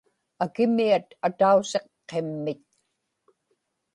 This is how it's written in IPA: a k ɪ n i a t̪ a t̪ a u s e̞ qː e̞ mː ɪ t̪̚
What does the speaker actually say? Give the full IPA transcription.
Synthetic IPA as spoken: a k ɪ m i a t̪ a t̪ a u s e̞ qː e̞ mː ɪ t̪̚